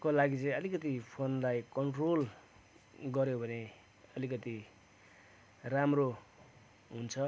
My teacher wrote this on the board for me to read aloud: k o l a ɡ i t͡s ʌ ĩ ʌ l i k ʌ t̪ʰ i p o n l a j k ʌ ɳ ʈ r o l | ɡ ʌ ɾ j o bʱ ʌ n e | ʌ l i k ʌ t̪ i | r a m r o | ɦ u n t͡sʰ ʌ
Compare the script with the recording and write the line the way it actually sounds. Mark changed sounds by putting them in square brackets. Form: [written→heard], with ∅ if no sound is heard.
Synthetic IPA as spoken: k o l a ɡ i t͡s ʌ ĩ ʌ l i k ʌ [t̪ʰ→t̪] i [p→pʰ] o n l a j k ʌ ɳ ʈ r o l | ɡ ʌ ɾ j o bʱ ʌ n e | ʌ l i k ʌ t̪ i | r a m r o | ɦ u n t͡sʰ ʌ